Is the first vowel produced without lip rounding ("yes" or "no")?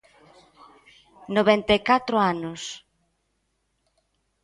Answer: no